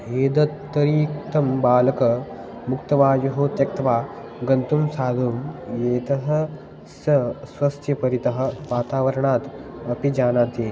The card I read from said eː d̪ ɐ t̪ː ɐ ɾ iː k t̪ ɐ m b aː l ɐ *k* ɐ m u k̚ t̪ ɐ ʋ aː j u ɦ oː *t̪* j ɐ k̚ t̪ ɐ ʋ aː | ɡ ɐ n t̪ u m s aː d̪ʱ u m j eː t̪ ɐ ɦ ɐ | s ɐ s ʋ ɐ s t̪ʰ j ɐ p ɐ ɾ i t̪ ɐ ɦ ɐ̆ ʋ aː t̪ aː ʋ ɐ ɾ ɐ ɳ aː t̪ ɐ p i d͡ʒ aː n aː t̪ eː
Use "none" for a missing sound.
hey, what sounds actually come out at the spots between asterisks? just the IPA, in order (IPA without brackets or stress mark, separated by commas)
k, t̪